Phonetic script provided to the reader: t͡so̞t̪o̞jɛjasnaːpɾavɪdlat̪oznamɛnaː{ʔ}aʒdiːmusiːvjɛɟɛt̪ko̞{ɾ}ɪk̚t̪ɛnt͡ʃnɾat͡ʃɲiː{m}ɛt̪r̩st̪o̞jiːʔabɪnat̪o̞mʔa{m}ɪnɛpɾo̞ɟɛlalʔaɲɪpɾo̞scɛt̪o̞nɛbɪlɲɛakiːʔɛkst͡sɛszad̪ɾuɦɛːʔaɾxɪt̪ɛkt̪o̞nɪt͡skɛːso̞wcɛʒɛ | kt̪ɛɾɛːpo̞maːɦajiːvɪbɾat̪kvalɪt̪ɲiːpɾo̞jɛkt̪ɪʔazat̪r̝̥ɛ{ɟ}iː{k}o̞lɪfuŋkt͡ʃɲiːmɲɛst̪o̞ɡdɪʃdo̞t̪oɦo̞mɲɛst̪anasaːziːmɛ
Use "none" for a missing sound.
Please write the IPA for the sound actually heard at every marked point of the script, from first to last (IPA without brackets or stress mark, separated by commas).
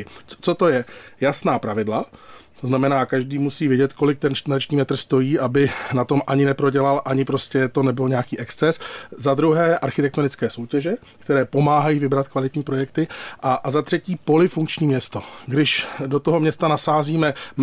k, l, m, ɲ, c, p